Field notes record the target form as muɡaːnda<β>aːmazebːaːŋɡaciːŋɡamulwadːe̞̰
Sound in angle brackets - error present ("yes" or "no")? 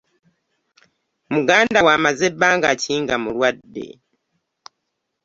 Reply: yes